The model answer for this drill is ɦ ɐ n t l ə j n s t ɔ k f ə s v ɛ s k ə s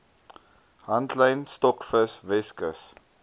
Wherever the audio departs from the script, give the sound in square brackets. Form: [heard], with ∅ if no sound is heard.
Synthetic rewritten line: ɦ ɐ n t l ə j n s t ɔ k f ə s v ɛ s k ə s